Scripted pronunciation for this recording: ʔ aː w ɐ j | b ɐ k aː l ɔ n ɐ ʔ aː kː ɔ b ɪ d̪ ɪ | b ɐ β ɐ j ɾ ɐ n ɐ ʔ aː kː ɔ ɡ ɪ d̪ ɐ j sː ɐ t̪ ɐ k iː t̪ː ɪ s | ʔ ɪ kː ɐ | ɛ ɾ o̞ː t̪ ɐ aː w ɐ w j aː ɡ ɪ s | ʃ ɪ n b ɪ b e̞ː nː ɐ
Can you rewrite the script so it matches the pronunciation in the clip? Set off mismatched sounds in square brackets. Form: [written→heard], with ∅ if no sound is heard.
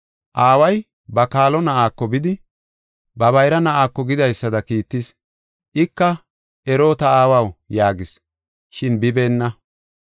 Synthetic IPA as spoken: ʔ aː w ɐ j | b ɐ k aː l ɔ n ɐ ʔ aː kː ɔ b ɪ d̪ ɪ | b ɐ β ɐ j ɾ ɐ n ɐ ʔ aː kː ɔ ɡ ɪ d̪ ɐ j sː ɐ [t̪→d̪] ɐ k iː t̪ː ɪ s | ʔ ɪ kː ɐ | ɛ ɾ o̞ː t̪ ɐ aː w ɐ w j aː ɡ ɪ s | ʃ ɪ n b ɪ b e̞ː nː ɐ